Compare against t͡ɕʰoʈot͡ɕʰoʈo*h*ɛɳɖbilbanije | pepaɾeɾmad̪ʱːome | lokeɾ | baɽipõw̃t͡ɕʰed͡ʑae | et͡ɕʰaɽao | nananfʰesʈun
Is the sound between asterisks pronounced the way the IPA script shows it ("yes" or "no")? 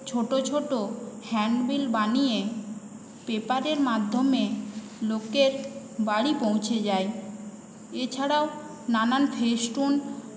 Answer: yes